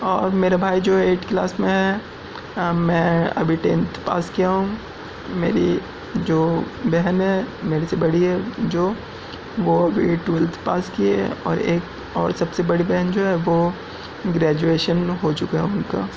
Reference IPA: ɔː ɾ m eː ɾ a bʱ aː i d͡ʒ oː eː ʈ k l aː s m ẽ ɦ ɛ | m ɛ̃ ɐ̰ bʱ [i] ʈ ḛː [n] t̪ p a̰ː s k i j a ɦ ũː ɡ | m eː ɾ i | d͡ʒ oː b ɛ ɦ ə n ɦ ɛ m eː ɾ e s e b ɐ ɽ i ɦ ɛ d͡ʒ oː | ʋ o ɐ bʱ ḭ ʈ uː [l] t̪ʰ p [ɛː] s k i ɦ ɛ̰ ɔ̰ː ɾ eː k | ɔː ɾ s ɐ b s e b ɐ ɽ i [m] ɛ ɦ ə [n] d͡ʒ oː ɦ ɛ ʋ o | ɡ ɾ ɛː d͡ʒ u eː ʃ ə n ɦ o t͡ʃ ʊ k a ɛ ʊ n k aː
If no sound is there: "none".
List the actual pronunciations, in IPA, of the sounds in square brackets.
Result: i, n, l, aː, b, n

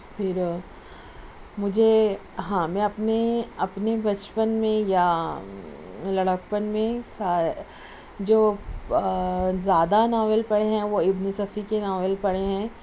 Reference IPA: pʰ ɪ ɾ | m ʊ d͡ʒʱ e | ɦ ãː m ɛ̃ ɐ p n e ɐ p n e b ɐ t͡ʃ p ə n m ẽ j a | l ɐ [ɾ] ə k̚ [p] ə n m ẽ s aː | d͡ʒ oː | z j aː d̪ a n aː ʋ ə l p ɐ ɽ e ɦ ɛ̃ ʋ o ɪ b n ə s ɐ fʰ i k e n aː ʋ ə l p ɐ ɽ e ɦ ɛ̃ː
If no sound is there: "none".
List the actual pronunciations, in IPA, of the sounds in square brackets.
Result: ɽ, p

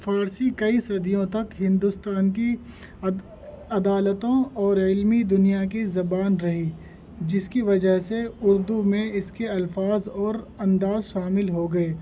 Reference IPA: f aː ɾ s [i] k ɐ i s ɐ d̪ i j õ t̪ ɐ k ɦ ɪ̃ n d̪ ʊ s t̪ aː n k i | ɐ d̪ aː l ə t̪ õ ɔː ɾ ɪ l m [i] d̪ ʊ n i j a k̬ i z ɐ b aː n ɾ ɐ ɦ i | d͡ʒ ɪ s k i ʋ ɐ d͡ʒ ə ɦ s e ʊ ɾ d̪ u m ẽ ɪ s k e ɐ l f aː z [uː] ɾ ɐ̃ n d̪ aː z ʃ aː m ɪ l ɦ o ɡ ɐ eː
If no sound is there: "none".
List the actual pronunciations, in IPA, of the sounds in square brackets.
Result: i, i, ɔː

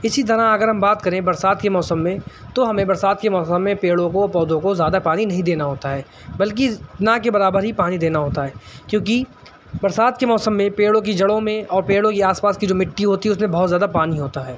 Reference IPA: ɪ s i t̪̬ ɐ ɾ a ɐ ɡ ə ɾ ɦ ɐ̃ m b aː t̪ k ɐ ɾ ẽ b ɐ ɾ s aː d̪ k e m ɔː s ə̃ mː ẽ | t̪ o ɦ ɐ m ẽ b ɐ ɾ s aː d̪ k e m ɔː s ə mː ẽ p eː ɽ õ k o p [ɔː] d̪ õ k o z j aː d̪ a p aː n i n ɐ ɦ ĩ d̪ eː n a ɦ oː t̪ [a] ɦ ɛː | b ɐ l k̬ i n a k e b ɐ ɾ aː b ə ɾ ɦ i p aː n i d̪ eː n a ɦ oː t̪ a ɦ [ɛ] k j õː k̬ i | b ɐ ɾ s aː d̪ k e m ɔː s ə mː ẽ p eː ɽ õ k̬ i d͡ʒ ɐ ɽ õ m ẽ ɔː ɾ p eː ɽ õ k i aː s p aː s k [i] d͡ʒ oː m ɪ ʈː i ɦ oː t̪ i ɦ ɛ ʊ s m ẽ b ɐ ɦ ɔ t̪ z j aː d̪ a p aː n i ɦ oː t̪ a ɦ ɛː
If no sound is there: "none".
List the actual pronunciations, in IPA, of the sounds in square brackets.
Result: ɔː, a, ɛː, i

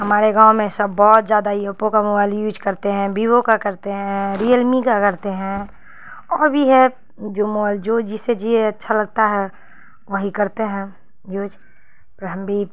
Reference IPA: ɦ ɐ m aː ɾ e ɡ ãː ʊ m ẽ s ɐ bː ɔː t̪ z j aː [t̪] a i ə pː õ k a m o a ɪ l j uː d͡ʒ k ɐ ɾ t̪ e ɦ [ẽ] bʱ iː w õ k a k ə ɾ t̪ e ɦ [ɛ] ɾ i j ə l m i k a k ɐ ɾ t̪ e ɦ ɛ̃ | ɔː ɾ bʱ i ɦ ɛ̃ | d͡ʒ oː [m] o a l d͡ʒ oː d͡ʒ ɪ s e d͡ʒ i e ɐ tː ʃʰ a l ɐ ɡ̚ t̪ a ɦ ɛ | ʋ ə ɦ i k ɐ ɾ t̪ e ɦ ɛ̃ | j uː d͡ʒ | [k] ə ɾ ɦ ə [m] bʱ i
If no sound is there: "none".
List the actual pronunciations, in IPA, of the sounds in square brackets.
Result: d̪, ɛ̃, ɛ̃, m, p, m

